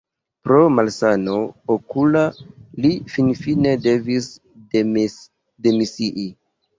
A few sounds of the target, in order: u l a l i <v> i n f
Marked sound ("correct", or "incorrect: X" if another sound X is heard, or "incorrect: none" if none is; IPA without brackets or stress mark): incorrect: f